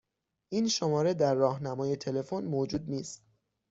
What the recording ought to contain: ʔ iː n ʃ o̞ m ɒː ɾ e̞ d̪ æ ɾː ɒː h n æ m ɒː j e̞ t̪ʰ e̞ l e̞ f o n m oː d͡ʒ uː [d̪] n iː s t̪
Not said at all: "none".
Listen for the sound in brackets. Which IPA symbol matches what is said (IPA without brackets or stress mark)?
d̪